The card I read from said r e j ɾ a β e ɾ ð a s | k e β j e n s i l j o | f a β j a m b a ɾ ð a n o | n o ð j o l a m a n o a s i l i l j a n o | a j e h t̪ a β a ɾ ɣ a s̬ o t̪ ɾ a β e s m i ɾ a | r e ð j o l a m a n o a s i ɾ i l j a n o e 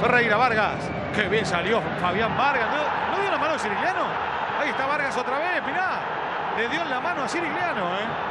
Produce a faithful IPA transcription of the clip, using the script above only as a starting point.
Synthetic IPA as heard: r e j ɾ a β a ɾ ɣ a s | k e β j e n s a l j o | f a β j a m b a ɾ ɣ a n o | n o ð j o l a m a n o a s i ɾ i l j a n o | a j e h t̪ a β a ɾ ɣ a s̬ o t̪ ɾ a β e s m i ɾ a | l e ð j o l a m a n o a s i ɾ i l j a n o e